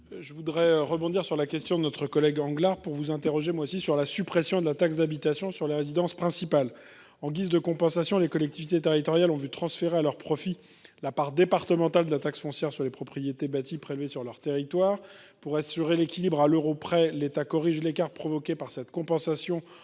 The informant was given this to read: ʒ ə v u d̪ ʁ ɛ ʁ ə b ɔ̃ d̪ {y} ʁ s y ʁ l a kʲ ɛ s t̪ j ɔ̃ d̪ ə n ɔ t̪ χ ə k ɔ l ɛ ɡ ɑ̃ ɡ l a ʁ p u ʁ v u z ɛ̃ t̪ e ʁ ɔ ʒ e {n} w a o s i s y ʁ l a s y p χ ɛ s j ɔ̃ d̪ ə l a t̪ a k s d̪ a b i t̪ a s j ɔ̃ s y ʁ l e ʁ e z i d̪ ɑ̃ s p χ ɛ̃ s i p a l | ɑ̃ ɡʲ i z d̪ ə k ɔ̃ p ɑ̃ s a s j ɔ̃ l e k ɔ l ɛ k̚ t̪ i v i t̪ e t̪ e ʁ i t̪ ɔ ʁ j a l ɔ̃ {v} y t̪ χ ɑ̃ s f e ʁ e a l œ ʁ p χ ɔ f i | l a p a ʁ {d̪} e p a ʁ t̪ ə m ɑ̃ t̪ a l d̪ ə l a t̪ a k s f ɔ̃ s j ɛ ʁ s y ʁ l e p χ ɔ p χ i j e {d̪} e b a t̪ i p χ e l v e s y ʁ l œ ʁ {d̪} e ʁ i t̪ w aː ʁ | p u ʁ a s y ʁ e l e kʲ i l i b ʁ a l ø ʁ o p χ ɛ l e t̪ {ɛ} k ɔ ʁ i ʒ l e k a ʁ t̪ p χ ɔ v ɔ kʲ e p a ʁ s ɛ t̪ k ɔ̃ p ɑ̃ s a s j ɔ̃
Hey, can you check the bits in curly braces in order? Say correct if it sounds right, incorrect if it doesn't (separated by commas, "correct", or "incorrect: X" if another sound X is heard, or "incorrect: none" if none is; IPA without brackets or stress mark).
incorrect: i, incorrect: m, correct, correct, incorrect: t̪, incorrect: t̪, incorrect: a